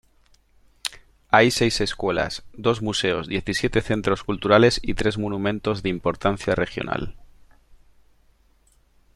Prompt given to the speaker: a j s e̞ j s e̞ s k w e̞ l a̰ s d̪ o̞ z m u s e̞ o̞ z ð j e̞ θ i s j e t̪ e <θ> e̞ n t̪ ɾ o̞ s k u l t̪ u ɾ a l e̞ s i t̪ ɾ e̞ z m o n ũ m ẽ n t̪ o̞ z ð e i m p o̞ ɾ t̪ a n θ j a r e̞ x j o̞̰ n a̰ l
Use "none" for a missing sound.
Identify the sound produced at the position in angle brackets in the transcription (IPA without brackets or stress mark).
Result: θ